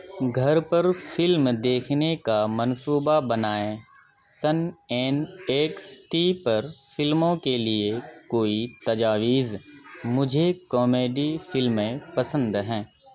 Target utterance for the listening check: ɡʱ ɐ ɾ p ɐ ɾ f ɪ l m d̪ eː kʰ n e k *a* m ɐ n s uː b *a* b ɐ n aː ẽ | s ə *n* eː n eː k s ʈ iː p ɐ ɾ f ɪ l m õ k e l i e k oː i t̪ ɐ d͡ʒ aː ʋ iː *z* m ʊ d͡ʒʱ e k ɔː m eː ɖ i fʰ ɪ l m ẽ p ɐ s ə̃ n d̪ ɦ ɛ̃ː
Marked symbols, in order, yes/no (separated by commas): yes, yes, yes, yes